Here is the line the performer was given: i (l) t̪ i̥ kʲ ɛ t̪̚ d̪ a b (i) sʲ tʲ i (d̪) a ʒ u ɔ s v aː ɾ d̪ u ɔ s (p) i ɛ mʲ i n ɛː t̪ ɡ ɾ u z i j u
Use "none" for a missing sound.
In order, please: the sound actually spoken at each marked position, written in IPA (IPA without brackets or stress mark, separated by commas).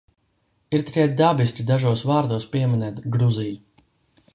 ɾ, i, d̪, p